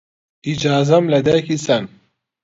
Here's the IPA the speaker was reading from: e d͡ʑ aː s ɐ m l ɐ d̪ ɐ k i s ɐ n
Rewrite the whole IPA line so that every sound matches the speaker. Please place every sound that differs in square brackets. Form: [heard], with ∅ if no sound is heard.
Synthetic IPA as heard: [i] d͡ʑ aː [z] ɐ m l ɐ d̪ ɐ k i s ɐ n